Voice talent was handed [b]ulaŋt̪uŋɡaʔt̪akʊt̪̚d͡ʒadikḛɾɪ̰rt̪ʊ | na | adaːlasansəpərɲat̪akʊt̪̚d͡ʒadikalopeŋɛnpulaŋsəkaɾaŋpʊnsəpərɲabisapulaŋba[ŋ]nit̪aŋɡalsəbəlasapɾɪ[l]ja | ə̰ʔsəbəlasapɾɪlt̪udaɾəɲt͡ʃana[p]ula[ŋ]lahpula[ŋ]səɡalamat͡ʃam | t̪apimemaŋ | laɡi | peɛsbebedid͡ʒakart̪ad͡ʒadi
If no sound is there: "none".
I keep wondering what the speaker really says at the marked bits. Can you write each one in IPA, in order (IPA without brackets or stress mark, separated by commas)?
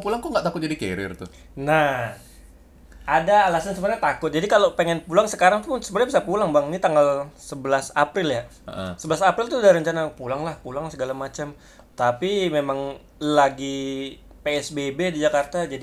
p, ŋ, l, p, ŋ, ŋ